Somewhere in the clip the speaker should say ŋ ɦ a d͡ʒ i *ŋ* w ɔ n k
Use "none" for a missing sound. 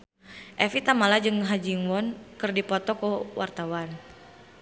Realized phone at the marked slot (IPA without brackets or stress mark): ŋ